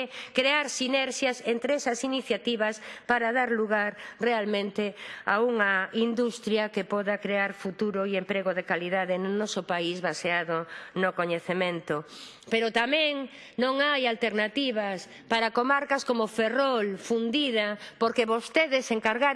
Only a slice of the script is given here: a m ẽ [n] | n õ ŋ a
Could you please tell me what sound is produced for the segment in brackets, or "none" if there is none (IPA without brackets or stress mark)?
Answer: ŋ